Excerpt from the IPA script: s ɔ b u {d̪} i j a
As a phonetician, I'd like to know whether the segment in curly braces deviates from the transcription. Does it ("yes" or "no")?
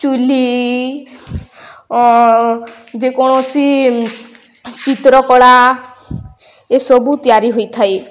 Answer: yes